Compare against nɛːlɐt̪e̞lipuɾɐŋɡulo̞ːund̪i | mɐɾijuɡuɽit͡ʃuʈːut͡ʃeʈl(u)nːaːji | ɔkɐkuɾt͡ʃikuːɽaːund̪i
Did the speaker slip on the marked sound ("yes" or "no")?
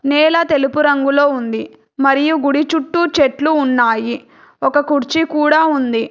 yes